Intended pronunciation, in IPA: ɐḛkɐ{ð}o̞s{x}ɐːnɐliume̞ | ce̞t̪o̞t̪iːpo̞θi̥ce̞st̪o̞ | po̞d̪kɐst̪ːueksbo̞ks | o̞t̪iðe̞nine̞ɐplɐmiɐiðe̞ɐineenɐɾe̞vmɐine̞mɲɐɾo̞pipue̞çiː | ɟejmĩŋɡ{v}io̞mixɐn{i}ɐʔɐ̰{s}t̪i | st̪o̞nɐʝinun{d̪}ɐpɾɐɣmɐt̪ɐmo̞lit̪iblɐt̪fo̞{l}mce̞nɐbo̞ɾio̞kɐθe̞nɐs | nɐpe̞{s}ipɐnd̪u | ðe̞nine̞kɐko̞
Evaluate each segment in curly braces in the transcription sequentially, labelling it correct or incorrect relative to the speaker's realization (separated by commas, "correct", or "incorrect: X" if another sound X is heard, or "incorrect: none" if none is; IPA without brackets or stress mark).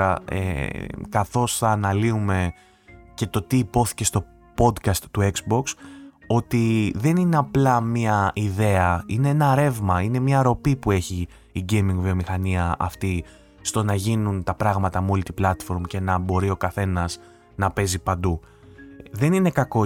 incorrect: θ, incorrect: θ, correct, correct, incorrect: f, incorrect: t̪, incorrect: ɾ, incorrect: z